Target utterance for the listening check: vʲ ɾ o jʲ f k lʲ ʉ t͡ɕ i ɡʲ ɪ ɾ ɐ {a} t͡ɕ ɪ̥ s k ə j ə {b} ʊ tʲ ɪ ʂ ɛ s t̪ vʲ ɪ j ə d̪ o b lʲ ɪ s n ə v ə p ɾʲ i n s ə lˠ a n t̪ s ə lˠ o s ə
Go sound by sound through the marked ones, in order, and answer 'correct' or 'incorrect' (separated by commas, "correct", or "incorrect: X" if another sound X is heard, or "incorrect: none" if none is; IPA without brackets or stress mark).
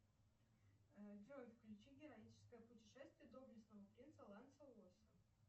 incorrect: i, incorrect: p